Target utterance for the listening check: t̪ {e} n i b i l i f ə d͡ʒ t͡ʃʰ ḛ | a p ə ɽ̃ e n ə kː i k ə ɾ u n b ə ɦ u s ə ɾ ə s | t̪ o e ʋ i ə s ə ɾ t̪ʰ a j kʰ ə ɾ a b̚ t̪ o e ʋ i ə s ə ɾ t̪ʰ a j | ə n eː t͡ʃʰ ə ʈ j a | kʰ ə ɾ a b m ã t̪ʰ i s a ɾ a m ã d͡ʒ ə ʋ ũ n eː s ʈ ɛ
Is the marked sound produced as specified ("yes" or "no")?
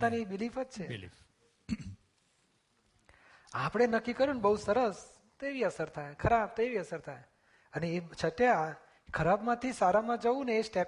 no